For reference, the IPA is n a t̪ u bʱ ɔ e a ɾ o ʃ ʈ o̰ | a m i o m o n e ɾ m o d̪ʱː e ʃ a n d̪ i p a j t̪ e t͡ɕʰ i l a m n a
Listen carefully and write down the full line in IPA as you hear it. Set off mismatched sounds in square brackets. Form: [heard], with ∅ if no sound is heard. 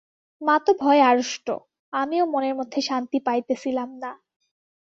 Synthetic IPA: [m] a t̪ [o] bʱ ɔ e a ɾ o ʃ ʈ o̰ | a m i o m o n e ɾ m o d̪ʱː e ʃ a n [t̪] i p a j t̪ e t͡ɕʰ i l a m n a